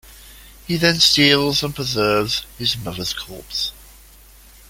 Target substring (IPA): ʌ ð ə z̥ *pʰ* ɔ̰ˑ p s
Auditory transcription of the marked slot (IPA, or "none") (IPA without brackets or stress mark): kʰ